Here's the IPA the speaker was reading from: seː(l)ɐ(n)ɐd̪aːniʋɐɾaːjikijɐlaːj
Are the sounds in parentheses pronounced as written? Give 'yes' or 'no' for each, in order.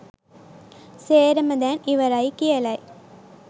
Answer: no, no

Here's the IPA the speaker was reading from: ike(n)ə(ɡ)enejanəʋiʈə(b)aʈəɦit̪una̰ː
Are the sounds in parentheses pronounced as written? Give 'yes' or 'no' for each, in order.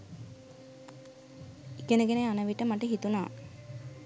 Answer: yes, yes, no

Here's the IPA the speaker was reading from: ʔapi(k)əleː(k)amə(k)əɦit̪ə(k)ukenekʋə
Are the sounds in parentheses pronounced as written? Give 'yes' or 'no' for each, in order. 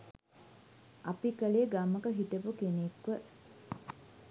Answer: yes, no, yes, no

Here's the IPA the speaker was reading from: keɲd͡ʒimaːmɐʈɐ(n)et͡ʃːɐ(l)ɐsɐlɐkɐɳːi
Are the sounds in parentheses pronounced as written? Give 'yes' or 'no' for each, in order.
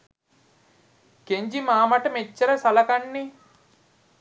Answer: no, no

